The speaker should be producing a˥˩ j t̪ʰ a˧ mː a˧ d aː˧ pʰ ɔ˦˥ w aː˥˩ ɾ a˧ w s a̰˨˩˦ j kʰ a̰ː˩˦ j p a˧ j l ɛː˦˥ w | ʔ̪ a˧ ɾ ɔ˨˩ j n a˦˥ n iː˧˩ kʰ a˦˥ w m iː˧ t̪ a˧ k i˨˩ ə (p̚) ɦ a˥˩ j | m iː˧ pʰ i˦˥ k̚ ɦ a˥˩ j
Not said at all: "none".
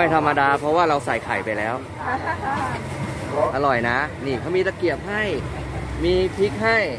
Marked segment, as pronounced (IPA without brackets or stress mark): p̚